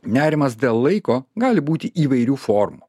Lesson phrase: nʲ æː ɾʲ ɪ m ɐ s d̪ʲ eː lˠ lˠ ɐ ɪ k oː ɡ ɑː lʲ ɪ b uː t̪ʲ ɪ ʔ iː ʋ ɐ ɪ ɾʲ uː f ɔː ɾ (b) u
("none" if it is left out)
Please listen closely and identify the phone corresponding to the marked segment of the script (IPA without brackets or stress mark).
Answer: m